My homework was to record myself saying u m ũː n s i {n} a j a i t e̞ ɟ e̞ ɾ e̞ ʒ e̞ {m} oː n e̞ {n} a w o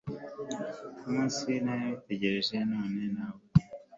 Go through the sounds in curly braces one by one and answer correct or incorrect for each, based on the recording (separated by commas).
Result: correct, incorrect, correct